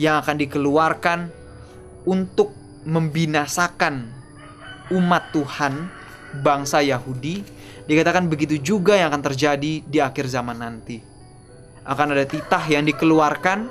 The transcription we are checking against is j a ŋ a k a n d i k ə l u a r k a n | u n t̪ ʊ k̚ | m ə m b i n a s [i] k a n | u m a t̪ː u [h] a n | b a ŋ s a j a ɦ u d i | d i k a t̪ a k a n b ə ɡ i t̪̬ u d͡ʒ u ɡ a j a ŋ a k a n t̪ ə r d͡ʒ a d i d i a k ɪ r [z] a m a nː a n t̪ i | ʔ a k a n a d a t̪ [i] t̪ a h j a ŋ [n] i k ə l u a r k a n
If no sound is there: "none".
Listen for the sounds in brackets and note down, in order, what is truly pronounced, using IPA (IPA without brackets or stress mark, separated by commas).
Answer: a, h, z, i, d